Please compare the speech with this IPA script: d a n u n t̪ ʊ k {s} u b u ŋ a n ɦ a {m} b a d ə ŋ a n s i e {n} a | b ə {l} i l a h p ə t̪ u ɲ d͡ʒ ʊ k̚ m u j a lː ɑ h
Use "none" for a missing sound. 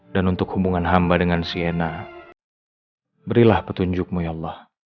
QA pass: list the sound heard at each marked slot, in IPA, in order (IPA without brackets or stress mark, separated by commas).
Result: h, m, n, ɾ